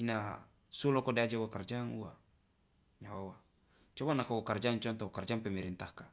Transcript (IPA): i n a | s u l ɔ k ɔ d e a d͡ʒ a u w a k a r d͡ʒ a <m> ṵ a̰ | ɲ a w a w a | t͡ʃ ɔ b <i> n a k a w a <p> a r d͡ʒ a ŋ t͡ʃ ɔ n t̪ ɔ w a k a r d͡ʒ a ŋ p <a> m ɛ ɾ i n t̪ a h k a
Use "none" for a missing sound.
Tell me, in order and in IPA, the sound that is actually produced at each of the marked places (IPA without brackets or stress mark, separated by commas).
ŋ, a, k, ɛ